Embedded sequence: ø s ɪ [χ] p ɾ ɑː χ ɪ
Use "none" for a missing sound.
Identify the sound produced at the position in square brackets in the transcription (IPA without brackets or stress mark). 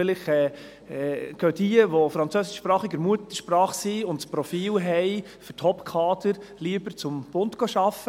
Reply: ʃ